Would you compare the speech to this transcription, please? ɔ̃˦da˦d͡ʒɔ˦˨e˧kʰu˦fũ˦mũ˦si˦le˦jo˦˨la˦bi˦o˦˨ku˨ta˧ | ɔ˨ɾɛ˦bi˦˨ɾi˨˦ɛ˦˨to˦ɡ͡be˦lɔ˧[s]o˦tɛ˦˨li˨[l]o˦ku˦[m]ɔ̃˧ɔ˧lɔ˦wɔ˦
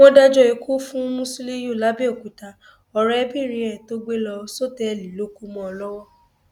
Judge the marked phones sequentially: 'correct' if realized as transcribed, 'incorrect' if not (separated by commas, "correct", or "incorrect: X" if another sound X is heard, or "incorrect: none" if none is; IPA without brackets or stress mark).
correct, correct, correct